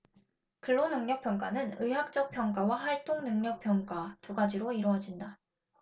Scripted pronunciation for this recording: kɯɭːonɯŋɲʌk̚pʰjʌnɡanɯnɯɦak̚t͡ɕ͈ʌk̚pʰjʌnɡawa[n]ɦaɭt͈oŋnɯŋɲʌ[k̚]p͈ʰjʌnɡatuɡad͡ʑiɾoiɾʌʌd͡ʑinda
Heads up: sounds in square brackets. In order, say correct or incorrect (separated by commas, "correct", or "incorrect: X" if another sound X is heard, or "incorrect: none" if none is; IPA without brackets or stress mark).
incorrect: none, correct